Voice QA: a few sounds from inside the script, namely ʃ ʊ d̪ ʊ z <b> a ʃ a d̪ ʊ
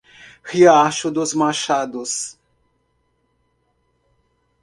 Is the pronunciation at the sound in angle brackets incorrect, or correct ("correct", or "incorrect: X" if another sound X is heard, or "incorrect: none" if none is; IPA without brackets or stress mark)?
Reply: incorrect: m